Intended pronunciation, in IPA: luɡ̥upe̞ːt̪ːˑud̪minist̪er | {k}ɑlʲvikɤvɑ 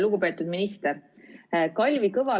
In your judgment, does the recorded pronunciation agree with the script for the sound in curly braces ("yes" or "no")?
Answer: yes